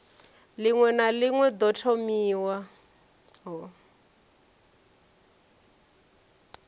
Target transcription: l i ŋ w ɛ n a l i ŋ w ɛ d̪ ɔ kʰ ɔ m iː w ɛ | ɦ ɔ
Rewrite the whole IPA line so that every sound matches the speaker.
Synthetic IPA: l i ŋ w ɛ n a l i ŋ w ɛ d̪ ɔ tʰ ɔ m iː w a | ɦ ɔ